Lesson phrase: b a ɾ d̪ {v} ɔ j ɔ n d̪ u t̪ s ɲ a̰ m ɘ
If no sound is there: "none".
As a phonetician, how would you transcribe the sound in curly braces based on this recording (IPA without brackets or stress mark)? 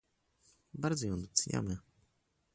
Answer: z